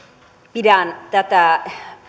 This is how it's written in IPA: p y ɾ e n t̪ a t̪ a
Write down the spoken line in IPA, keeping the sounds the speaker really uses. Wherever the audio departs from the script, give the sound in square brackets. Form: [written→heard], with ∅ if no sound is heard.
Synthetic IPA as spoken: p [y→i] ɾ [e→a] n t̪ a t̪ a